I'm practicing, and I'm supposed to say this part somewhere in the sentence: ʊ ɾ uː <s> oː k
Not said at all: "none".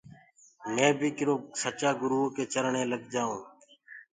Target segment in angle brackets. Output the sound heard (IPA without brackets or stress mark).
none